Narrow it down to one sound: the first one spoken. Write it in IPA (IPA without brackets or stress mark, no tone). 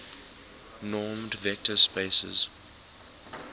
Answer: n